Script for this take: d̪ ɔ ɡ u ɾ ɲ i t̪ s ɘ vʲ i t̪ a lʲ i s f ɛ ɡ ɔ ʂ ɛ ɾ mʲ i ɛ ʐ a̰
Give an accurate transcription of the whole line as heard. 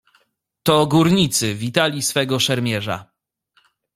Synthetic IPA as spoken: t̪ ɔ ɡ u ɾ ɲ i t̪ s ɘ vʲ i t̪ a lʲ i s f ɛ ɡ ɔ ʂ ɛ ɾ mʲ j ɛ ʐ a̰